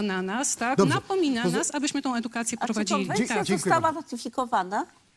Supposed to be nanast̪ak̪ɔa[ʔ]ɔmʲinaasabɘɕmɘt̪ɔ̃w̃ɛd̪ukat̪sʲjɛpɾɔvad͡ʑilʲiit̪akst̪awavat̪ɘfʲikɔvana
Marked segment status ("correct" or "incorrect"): incorrect